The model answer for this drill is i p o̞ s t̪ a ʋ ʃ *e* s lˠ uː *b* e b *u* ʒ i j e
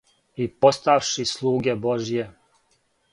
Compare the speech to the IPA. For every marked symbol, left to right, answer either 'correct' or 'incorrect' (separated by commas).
incorrect, incorrect, incorrect